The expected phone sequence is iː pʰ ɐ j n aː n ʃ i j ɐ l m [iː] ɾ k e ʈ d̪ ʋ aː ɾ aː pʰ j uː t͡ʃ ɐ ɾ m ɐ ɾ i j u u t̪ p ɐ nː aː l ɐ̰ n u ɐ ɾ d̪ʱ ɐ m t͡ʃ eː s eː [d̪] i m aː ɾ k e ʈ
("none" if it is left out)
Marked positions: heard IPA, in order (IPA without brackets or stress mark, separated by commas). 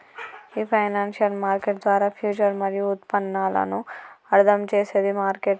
aː, d̪